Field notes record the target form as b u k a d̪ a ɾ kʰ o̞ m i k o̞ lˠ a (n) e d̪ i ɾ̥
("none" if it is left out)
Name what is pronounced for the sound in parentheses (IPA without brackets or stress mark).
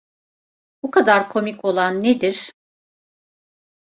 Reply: nː